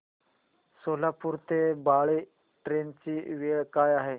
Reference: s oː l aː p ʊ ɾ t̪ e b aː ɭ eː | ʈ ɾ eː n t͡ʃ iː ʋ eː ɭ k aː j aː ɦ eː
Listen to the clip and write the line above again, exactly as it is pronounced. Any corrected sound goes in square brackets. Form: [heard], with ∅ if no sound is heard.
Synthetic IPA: s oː l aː p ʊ ɾ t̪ e b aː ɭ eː | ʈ ɾ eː n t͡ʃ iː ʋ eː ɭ k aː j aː ɦ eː

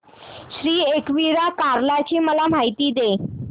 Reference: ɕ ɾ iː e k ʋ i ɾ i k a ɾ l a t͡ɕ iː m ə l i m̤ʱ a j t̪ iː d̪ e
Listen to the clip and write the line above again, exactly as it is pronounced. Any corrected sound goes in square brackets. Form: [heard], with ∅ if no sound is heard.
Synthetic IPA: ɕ ɾ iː e k ʋ i ɾ [a] k a ɾ l a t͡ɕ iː m ə l [a] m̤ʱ a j t̪ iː d̪ e

